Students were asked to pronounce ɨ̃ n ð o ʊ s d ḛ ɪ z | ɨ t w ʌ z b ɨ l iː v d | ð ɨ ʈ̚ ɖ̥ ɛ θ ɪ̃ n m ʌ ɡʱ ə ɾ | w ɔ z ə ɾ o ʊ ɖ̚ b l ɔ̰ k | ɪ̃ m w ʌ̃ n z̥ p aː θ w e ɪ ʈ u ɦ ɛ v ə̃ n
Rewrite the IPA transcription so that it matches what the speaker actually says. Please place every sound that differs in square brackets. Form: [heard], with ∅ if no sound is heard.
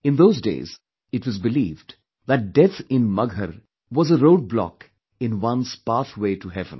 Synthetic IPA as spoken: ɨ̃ n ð o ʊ [z] d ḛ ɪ z | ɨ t w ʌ z b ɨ l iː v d | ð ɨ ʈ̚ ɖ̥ ɛ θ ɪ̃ n m ʌ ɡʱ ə ɾ | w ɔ z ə ɾ o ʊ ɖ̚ b l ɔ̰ k | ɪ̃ [n] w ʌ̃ n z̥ p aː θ w e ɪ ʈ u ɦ ɛ v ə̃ n